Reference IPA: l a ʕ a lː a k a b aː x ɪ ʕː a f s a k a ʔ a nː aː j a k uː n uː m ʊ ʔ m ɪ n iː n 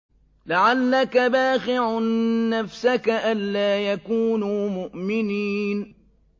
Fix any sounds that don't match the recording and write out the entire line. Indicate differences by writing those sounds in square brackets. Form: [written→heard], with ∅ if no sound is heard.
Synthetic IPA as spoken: l a ʕ a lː a k a b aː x ɪ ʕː a f s a k a ʔ a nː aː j a k uː n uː m ʊ ʔ m ɪ n iː n